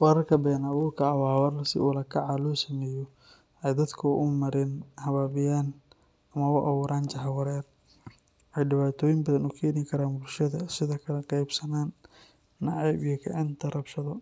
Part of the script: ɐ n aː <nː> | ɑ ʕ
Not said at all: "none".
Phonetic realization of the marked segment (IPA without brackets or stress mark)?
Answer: nː